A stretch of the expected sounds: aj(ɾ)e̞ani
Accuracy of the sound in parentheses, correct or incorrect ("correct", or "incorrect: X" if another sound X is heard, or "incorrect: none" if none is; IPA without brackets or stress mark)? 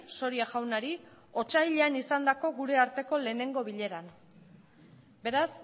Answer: incorrect: ʎ